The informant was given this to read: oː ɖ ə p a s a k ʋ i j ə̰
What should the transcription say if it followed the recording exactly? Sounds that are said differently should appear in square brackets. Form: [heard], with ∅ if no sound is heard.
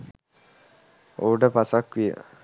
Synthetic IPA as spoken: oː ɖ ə p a s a k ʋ i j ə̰